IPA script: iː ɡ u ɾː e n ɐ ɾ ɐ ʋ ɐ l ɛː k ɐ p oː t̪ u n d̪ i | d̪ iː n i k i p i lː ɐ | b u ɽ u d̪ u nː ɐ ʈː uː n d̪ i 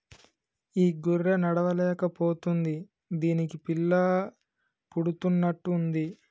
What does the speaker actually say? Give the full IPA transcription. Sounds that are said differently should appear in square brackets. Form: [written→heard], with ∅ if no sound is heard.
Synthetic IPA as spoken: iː ɡ u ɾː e n ɐ [ɾ→ɽ] ɐ ʋ ɐ l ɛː k ɐ p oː t̪ u n d̪ i | d̪ iː n i k i p i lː ɐ | [b→p] u ɽ u [d̪→t̪] u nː ɐ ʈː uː n d̪ i